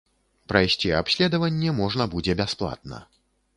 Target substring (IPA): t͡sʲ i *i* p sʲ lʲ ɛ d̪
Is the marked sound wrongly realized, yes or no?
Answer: yes